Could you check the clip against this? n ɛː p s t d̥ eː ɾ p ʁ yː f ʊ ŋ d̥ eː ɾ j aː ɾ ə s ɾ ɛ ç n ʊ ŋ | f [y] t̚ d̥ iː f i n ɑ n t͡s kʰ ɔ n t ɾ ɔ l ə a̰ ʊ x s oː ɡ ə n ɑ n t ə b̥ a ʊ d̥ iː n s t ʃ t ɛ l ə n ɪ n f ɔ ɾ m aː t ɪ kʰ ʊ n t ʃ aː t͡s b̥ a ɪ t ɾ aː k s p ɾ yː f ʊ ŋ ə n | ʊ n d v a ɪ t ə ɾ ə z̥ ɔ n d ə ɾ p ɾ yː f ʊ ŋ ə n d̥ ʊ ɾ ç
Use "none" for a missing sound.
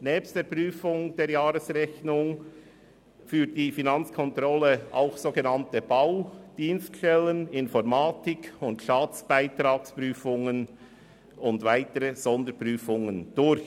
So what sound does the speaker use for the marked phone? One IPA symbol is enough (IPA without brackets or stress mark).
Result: yː